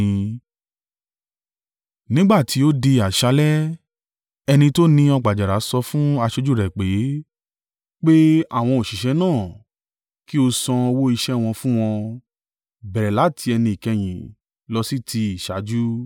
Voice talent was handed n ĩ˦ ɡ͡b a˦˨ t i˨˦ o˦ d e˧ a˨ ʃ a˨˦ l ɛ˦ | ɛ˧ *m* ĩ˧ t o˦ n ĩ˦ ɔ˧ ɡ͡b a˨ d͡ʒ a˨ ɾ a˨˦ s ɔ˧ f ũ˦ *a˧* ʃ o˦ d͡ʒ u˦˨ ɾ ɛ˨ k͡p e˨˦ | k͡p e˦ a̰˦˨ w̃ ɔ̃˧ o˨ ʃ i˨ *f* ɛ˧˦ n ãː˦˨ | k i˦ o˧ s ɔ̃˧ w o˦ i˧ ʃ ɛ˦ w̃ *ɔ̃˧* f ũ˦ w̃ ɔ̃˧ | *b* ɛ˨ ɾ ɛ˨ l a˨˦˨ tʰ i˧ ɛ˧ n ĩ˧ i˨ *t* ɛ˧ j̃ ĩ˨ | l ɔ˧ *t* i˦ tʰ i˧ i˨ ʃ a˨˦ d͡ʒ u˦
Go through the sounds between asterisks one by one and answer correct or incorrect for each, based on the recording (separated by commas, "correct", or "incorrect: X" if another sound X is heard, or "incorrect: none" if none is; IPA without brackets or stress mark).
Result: incorrect: n, correct, incorrect: ʃ, correct, correct, incorrect: k, incorrect: s